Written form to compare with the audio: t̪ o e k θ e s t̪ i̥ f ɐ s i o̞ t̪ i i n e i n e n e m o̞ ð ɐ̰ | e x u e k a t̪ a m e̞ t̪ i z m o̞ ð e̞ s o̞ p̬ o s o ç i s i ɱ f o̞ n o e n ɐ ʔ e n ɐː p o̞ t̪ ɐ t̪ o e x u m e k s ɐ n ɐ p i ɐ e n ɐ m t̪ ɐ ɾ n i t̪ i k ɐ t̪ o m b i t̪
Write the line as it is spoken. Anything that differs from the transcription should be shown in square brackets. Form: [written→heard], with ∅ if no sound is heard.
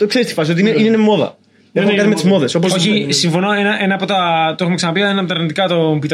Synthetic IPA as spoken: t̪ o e k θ e s t̪ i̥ f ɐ s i o̞ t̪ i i n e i n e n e m o̞ ð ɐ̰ | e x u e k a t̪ [a→i] m e̞ t̪ i z m o̞ ð e̞ s o̞ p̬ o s o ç i s i ɱ f o̞ n o e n ɐ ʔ e n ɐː p o̞ t̪ ɐ t̪ o e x u m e k s ɐ n ɐ p i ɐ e n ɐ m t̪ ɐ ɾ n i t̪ i k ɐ t̪ o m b i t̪